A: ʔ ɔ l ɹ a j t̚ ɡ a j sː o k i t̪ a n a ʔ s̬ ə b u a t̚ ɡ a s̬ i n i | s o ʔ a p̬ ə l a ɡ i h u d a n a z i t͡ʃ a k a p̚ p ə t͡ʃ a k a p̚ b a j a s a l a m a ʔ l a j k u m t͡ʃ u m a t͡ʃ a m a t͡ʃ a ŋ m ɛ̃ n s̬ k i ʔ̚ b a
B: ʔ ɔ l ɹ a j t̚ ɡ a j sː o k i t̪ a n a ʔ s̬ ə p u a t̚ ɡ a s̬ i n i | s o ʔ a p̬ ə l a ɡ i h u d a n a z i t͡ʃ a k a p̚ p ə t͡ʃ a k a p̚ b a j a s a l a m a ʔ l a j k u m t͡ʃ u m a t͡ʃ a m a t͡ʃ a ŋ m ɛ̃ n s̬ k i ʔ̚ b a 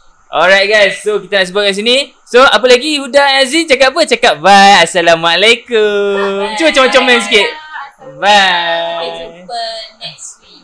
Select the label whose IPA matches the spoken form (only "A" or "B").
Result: A